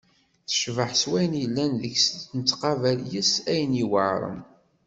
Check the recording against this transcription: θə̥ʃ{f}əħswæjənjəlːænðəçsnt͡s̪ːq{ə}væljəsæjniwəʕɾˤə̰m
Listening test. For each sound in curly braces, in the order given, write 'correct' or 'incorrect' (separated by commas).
incorrect, incorrect